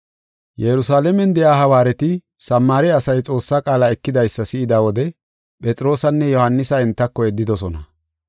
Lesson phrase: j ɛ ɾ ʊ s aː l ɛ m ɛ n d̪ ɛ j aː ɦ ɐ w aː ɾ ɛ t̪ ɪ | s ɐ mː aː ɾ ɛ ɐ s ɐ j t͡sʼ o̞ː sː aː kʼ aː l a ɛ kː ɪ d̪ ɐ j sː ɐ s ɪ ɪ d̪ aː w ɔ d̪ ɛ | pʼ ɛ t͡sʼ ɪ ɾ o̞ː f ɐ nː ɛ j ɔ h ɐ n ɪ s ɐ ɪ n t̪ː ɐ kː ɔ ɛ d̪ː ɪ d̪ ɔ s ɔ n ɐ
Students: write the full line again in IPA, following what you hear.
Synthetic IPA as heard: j ɛ ɾ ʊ s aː l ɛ m ɛ n d̪ ɛ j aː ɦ ɐ w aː ɾ ɛ t̪ ɪ | s ɐ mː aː ɾ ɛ ɐ s ɐ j t͡sʼ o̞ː sː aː kʼ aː l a ɛ kː ɪ d̪ ɐ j sː ɐ s ɪ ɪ d̪ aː w ɔ d̪ ɛ | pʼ ɛ t͡sʼ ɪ ɾ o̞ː s ɐ nː ɛ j ɔ h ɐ nː ɪ s ɐ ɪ n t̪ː ɐ kː ɔ ɛ d̪ː ɪ d̪ ɔ s ɔ n ɐ